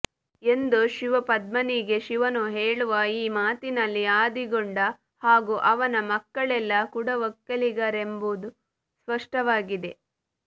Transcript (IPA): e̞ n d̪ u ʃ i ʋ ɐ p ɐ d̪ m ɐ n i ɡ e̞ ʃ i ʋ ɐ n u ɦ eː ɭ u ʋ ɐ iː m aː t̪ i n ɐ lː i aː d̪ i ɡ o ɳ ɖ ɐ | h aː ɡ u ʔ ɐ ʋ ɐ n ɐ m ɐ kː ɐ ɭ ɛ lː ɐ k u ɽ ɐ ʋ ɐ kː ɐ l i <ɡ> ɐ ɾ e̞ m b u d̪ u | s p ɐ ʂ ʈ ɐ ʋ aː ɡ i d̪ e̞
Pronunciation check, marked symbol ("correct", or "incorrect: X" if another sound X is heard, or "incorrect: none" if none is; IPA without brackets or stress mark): correct